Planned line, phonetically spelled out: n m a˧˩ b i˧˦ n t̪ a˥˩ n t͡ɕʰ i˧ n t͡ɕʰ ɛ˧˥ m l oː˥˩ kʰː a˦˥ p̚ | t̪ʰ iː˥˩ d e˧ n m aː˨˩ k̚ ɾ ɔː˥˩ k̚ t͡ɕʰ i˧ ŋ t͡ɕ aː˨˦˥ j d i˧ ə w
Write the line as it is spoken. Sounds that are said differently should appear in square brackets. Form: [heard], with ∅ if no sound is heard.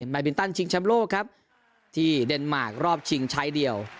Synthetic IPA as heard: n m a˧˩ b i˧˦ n t̪ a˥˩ n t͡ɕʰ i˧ [ŋ] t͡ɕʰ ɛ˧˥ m l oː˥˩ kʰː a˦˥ p̚ | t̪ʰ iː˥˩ d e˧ n m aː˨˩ k̚ ɾ ɔː˥˩ [p̚] t͡ɕʰ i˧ ŋ [t͡ɕʰ] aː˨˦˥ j d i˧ ə w